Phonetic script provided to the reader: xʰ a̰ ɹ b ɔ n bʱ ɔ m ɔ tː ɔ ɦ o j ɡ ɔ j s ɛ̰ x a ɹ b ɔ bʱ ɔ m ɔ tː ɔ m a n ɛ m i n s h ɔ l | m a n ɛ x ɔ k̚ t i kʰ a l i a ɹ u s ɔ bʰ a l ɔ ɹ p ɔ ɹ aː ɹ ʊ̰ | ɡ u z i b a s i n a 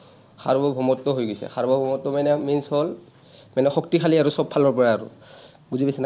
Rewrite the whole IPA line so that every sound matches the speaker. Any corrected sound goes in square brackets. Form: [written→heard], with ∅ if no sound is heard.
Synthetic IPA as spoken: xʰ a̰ ɹ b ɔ [n→∅] bʱ ɔ m ɔ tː ɔ ɦ o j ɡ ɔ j s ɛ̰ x a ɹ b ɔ bʱ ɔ m ɔ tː ɔ m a n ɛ m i n s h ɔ l | m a n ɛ x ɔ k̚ t i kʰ a l i a ɹ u s ɔ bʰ a l ɔ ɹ p ɔ ɹ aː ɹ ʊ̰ | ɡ u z i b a s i n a